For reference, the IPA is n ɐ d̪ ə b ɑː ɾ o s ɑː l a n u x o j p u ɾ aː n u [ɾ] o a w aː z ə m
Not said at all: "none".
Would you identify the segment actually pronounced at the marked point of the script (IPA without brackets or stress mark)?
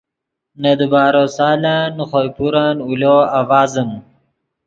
l